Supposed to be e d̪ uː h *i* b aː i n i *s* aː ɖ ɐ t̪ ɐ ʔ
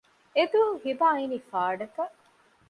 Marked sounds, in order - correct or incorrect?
correct, incorrect

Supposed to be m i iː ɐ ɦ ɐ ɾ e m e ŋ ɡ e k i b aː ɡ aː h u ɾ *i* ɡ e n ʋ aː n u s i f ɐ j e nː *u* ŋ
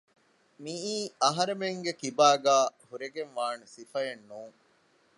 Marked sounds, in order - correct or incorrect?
incorrect, incorrect

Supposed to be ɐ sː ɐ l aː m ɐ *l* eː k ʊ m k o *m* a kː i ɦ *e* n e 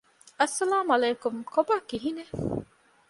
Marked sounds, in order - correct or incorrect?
correct, incorrect, incorrect

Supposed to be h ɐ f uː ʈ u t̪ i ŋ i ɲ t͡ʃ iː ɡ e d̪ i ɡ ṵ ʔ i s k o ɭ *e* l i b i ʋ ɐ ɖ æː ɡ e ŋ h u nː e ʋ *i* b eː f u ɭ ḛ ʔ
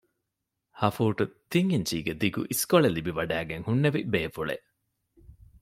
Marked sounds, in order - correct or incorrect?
correct, correct

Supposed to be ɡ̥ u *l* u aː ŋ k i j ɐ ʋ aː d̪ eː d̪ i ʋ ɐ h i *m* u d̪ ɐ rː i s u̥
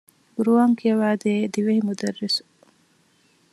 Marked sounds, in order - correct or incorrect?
incorrect, correct

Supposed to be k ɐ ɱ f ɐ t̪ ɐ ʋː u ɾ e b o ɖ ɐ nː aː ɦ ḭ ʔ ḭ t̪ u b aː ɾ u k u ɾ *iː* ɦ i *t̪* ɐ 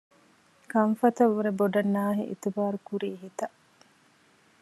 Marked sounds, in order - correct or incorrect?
correct, correct

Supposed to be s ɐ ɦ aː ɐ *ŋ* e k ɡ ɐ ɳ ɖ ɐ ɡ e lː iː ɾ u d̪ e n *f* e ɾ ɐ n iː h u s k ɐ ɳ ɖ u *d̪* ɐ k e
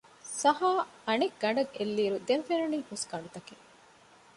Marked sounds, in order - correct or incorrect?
incorrect, correct, incorrect

